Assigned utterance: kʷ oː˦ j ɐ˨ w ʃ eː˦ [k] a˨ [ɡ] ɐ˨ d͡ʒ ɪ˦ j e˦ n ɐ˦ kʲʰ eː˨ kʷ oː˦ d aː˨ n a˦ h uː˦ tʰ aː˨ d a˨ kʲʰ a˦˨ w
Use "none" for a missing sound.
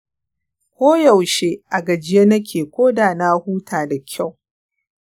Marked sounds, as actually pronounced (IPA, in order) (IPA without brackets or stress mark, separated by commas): ʔ, ɡ